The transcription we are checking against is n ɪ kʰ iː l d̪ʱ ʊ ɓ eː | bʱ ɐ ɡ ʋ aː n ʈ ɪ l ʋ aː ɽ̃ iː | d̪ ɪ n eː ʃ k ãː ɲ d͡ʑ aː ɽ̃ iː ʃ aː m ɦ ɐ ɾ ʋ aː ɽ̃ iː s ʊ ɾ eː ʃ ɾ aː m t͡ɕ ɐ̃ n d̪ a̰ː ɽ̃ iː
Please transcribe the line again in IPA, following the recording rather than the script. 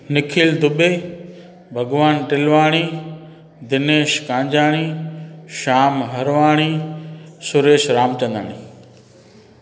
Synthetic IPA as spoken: n ɪ kʰ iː l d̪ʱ ʊ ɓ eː | bʱ ɐ ɡ ʋ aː n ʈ ɪ l ʋ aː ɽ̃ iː | d̪ ɪ n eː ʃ k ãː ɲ d͡ʑ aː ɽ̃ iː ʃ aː m ɦ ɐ ɾ ʋ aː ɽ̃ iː s ʊ ɾ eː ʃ ɾ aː m t͡ɕ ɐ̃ n d̪ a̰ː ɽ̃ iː